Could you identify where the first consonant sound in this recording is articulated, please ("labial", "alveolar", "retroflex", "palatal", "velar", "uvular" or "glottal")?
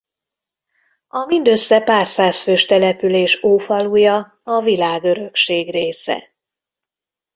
labial